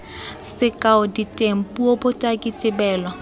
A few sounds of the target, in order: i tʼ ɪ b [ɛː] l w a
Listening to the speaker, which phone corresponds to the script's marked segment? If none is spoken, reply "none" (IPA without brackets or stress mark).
ɛː